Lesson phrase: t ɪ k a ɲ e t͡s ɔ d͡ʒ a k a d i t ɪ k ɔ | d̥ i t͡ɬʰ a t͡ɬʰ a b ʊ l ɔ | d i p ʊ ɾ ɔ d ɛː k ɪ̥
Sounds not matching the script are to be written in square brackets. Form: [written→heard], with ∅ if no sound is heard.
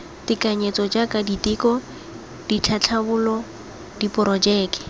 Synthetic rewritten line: t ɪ k a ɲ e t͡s ɔ d͡ʒ a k a d i t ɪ k ɔ | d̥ i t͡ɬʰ a t͡ɬʰ a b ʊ l ɔ | d i p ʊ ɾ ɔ [d→d͡ʒ] ɛː k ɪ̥